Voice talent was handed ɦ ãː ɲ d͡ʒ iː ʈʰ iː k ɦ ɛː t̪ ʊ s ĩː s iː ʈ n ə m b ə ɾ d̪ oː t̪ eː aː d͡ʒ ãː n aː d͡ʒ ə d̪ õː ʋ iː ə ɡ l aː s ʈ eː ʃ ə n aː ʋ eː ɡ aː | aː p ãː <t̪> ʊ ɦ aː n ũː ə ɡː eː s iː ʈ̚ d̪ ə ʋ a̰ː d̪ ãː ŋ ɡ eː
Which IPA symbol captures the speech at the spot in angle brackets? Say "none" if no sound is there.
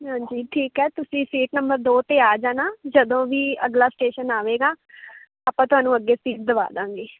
t̪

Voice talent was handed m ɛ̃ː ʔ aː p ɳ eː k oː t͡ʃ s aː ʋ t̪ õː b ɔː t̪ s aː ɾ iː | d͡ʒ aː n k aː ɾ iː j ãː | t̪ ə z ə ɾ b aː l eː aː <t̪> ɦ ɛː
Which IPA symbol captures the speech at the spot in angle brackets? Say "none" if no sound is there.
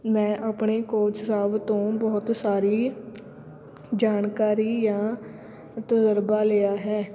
none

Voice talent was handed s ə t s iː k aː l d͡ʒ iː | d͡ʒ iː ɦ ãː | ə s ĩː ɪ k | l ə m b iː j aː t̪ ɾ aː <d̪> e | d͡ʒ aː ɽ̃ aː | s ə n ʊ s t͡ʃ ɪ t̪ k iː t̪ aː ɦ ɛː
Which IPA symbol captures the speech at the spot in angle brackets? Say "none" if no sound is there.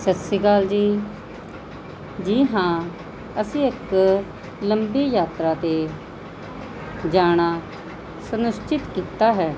t̪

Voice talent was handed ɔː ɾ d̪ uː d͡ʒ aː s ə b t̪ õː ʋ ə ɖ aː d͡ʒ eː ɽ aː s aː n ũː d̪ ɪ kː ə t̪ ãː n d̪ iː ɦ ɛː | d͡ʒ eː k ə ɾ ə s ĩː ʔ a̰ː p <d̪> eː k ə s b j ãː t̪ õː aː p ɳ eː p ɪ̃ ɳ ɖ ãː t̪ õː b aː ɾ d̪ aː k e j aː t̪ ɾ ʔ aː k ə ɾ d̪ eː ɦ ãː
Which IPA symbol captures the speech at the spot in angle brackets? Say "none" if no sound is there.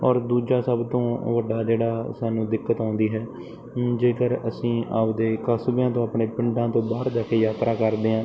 d̪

